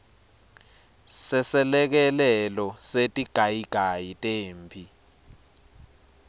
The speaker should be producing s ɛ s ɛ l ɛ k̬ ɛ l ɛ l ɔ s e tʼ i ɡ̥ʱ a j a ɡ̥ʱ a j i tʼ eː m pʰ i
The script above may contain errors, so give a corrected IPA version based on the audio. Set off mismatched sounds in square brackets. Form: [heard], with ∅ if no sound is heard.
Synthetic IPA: s ɛ s ɛ l ɛ k̬ ɛ l ɛ l ɔ s e tʼ i ɡ̥ʱ a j [i] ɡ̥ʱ a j i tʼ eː m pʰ i